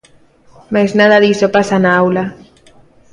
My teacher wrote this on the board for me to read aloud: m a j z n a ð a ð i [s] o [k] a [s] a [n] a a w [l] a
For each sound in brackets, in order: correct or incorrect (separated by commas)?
correct, incorrect, correct, correct, correct